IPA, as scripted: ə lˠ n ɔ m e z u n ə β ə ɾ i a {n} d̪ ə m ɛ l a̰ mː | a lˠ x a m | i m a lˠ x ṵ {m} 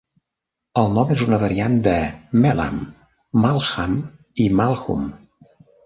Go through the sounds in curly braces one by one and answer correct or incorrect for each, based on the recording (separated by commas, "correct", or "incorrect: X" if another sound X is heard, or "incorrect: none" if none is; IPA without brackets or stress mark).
correct, correct